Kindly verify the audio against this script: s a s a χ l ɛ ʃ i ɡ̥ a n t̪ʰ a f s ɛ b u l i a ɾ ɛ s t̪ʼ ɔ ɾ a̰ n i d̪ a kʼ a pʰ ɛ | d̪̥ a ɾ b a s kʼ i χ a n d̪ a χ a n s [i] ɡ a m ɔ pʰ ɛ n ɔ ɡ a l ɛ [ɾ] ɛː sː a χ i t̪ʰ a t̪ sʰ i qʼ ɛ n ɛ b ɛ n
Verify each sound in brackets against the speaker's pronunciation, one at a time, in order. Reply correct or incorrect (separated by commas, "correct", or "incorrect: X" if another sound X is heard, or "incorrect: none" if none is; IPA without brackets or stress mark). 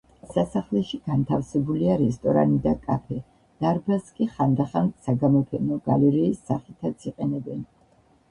incorrect: a, correct